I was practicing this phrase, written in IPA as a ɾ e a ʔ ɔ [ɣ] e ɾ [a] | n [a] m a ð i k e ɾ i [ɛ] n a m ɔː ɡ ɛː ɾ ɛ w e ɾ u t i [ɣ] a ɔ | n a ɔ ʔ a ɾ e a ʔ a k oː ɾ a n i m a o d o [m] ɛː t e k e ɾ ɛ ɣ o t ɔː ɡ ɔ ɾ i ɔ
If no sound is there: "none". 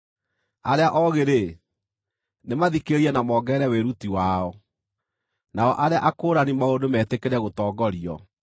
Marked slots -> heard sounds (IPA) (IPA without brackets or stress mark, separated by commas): ɣ, e, e, ɛ, w, m